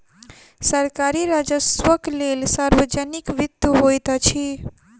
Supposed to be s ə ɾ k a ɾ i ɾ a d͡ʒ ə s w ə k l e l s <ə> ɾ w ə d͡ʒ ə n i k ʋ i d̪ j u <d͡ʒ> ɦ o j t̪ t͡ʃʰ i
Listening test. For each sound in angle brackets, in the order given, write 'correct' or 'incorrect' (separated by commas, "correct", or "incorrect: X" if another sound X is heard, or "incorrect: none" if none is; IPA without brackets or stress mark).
incorrect: a, incorrect: none